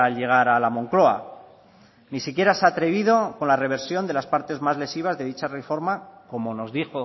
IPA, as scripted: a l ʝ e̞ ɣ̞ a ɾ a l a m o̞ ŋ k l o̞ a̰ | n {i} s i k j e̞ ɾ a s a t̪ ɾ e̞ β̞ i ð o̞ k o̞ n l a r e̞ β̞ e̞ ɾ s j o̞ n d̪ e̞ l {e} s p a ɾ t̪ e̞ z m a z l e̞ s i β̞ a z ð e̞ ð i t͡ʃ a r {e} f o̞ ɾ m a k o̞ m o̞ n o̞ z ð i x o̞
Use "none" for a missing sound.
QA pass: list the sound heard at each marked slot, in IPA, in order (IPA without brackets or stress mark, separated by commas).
i, a, e